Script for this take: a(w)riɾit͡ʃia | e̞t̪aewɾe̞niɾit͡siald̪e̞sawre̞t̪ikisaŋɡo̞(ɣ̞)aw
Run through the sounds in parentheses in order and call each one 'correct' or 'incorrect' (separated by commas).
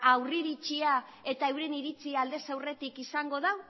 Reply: correct, incorrect